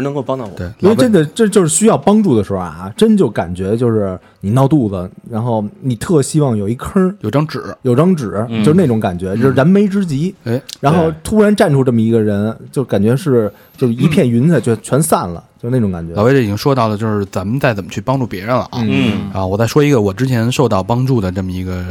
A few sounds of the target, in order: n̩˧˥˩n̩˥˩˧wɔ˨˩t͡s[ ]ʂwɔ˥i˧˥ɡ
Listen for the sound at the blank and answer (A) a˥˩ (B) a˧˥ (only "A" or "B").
A